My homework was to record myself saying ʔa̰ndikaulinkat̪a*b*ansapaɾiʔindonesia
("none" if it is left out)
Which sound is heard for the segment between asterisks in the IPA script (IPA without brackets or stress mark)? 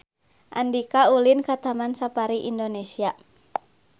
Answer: m